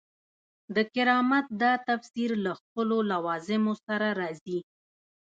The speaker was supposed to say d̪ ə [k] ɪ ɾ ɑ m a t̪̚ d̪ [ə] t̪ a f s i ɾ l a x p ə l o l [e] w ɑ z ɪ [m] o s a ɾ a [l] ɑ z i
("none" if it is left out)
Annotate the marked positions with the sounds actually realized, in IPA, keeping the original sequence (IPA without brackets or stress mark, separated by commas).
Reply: k, ɑ, a, m, ɾ